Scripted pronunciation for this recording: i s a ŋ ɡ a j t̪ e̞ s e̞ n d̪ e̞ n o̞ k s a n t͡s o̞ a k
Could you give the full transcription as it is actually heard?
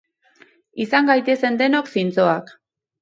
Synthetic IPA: i s a ŋ ɡ a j t̪ e̞ s e̞ n d̪ e̞ n o̞ k s i n t͡s o̞ a k